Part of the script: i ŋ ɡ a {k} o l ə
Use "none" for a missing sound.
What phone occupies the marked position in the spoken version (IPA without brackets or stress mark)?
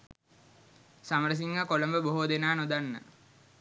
k